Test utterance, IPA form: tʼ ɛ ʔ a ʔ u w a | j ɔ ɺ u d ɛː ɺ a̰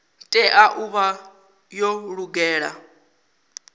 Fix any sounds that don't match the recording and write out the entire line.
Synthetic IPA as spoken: tʼ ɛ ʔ a ʔ u β a | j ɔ ɺ u ɡ ɛː ɺ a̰